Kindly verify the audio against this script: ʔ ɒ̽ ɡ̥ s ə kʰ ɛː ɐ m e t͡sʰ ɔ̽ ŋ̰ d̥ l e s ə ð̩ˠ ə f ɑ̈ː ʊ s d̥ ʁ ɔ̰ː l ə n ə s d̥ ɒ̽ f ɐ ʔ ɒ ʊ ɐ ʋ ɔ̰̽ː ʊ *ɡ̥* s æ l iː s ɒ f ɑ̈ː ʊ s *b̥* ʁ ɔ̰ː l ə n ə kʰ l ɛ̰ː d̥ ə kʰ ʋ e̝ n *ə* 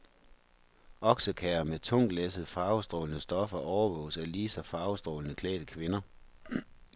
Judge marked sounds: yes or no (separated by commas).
no, no, no